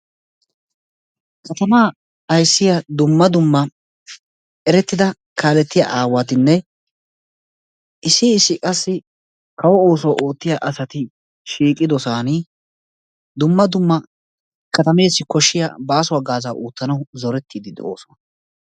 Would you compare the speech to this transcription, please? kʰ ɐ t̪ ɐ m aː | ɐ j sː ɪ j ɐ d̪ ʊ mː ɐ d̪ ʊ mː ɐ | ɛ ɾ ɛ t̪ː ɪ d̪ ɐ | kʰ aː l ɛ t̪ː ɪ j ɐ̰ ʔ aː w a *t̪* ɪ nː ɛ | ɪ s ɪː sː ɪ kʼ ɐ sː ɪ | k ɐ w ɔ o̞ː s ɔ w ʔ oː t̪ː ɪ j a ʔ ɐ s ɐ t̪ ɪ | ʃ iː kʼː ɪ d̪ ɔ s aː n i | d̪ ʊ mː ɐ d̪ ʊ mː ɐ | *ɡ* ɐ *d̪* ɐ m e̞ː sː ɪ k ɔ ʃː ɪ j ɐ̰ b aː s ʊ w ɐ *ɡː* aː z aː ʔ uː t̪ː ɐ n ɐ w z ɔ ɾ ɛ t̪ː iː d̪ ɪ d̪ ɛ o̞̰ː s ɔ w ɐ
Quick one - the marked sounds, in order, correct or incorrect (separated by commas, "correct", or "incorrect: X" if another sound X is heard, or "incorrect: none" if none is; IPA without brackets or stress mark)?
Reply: correct, incorrect: k, incorrect: t̪, incorrect: ɡ